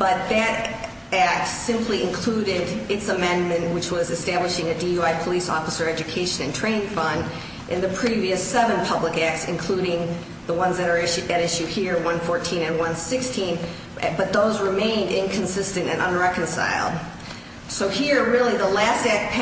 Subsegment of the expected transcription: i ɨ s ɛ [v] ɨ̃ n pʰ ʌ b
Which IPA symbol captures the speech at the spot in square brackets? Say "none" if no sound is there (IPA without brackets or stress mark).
v